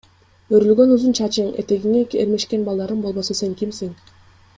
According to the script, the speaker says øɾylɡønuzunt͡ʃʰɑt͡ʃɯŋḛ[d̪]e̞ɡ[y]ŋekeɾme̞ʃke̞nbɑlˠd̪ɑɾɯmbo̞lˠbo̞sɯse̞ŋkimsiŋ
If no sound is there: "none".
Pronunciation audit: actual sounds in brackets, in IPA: t̪, i

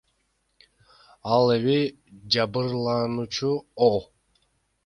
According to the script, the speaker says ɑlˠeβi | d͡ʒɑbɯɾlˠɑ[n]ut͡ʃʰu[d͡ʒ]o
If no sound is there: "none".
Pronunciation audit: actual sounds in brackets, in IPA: n, none

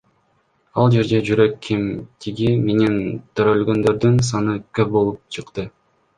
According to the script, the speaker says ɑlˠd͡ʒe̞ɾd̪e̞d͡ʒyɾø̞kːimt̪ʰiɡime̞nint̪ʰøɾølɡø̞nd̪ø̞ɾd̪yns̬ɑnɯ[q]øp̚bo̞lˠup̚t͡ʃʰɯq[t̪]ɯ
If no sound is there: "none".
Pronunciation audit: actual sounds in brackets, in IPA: k, t̪

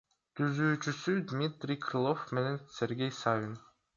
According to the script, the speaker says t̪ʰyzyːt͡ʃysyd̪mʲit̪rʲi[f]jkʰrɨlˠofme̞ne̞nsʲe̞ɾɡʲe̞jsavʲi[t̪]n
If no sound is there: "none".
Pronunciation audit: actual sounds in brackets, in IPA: none, none

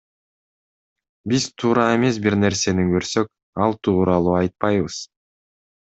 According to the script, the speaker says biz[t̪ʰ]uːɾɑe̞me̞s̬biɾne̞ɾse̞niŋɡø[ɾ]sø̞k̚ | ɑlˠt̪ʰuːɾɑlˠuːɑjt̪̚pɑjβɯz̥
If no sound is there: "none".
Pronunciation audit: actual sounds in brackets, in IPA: t̪ʰ, ɾ

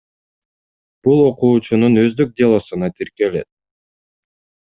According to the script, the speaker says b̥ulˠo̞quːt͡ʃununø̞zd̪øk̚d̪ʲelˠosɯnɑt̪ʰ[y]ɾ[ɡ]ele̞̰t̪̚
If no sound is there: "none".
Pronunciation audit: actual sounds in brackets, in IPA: i, k

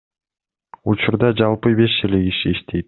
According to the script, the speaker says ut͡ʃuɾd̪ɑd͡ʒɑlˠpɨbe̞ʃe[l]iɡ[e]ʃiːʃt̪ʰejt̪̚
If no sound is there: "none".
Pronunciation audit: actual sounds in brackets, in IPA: l, i

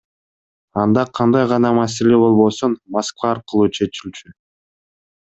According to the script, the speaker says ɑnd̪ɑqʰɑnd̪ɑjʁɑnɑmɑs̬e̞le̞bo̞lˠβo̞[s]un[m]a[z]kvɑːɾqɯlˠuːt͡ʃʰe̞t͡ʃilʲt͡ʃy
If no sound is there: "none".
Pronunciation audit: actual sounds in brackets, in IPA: s, m, s

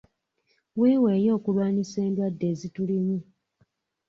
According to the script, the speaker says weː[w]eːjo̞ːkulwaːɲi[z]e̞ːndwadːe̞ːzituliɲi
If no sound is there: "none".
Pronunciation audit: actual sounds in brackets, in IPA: w, s

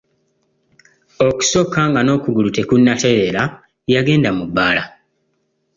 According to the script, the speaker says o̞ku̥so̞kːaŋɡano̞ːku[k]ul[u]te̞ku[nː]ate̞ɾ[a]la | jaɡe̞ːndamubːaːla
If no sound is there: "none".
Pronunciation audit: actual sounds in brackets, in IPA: ɡ, u, nː, e

